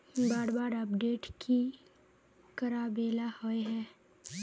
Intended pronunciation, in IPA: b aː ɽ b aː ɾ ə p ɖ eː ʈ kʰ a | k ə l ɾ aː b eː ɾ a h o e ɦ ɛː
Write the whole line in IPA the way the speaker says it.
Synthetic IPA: b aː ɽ b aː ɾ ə p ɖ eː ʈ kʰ i | k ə ɾ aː b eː l a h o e ɦ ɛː